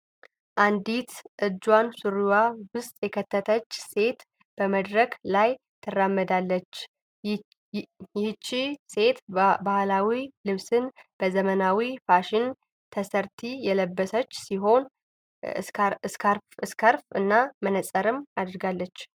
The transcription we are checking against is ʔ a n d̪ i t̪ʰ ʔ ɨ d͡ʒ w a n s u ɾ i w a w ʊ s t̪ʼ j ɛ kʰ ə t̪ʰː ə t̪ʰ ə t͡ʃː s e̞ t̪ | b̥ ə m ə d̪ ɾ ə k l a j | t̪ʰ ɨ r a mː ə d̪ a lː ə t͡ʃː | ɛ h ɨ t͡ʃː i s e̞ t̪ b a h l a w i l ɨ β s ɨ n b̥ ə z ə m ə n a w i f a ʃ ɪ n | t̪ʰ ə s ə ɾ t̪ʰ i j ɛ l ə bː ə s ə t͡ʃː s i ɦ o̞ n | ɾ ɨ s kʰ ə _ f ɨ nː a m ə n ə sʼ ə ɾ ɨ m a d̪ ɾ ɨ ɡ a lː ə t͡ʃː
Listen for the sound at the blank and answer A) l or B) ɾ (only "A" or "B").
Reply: B